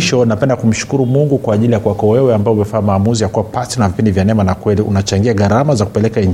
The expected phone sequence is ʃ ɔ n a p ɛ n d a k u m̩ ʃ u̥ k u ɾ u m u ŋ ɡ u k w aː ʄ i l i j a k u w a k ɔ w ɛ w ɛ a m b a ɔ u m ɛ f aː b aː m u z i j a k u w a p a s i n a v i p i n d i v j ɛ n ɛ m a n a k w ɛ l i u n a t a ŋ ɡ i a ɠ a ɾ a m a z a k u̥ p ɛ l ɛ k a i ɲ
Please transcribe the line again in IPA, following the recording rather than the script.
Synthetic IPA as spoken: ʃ ɔ n a p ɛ n d a k u m̩ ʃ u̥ k u ɾ u m u ŋ ɡ u k w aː ʄ i l i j a k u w a k ɔ w ɛ w ɛ a m b a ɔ u m ɛ f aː m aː m u z i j a k u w a p a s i n a v i p i n d i v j a n ɛ m a n a k w ɛ l i u n a t͡ʃ a ŋ ɡ i a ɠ a ɾ a m a z a k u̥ p ɛ l ɛ k a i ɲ